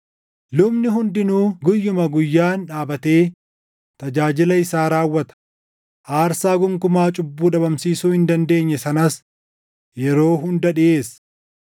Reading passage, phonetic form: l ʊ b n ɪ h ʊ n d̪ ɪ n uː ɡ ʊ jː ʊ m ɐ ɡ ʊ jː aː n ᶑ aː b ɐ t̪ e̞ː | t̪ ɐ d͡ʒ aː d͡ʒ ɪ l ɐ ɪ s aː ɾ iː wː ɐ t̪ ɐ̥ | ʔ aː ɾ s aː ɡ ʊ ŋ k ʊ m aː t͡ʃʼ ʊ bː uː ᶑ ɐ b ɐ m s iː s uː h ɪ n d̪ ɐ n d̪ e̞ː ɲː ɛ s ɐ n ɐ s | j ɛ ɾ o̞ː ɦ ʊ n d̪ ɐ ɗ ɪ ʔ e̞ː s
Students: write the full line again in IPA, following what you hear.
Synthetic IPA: l ʊ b n ɪ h ʊ n d̪ ɪ n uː ɡ ʊ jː ʊ m ɐ ɡ ʊ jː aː n ᶑ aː b ɐ t̪ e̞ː | t̪ ɐ d͡ʒ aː d͡ʒ ɪ l ɐ ɪ s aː ɾ aː wː ɐ t̪ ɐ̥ | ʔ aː ɾ s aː ɡ ʊ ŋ k ʊ m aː t͡ʃʼ ʊ bː uː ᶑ ɐ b ɐ m s iː s uː h ɪ n d̪ ɐ n d̪ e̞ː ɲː ɛ s ɐ n ɐ s | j ɛ ɾ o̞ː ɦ ʊ n d̪ ɐ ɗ ɪ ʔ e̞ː s

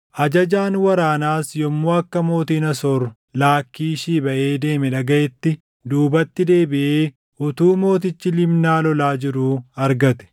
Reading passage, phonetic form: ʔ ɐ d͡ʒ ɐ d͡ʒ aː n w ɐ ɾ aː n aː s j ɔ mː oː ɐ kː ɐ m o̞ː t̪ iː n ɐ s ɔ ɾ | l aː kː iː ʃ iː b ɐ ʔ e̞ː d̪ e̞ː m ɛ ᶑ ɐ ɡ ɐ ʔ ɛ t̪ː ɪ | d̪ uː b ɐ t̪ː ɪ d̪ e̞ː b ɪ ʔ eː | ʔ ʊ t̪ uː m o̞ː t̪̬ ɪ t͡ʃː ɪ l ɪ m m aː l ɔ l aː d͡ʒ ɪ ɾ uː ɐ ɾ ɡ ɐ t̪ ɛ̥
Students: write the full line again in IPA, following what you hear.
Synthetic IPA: ʔ ɐ d͡ʒ ɐ d͡ʒ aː n w ɐ ɾ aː n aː s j ɔ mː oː ɐ kː ɐ m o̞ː t̪ iː n ɐ s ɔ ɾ | l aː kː iː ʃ iː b ɐ ʔ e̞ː d̪ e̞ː m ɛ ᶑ ɐ ɡ ɐ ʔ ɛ t̪ː ɪ | d̪ uː b ɐ t̪ː ɪ d̪ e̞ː b ɪ ʔ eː | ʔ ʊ t̪ uː m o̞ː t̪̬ ɪ t͡ʃː ɪ l ɪ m n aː l ɔ l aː d͡ʒ ɪ ɾ uː ɐ ɾ ɡ ɐ t̪ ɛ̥

